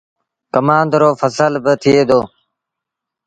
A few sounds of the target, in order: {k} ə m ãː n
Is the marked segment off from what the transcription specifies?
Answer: no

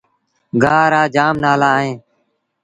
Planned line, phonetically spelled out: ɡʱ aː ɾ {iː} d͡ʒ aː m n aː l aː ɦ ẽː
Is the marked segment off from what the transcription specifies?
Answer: yes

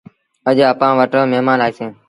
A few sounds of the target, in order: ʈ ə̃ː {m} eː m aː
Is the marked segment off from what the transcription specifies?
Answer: no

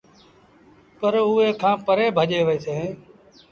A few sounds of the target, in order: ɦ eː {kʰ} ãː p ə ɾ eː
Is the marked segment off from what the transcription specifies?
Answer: no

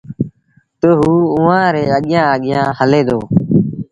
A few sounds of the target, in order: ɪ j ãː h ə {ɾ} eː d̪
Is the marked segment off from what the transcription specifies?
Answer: yes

